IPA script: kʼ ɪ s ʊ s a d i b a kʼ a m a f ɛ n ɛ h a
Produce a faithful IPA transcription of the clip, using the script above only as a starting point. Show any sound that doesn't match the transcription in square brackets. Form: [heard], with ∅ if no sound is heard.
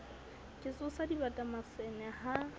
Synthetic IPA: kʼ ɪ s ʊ s a d i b a [tʼ] a m a [s] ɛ n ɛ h a